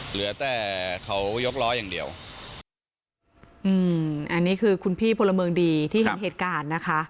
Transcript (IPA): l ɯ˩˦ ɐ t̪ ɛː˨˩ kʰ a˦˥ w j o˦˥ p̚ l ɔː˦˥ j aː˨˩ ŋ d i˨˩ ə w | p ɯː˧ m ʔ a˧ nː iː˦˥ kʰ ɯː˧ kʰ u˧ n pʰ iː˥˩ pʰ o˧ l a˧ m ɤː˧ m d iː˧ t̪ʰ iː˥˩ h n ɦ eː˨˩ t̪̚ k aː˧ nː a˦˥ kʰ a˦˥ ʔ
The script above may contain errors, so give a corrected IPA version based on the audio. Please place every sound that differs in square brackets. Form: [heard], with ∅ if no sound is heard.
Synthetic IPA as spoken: l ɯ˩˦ ɐ t̪ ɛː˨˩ kʰ a˦˥ w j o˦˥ [k̚] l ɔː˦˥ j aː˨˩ ŋ d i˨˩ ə w | [ʔ] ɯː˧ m ʔ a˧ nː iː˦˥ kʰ ɯː˧ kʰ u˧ n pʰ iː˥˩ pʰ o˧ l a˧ m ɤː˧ [ŋ] d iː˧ t̪ʰ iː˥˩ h n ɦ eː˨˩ t̪̚ k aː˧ nː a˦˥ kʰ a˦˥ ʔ